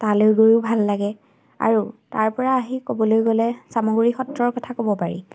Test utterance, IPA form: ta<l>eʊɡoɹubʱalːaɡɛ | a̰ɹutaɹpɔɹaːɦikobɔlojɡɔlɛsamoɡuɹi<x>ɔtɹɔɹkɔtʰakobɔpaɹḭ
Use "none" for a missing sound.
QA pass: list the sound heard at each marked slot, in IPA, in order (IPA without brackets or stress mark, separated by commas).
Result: l, x